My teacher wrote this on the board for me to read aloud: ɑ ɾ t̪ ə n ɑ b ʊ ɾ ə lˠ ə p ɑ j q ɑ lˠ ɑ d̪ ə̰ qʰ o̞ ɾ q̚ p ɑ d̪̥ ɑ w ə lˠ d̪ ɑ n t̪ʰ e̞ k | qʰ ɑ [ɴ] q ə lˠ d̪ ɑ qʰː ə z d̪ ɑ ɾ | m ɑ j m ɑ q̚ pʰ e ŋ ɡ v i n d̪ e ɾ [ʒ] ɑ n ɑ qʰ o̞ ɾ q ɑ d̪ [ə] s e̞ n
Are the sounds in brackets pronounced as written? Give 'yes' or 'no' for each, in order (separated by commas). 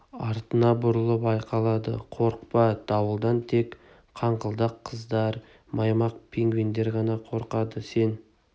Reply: yes, no, yes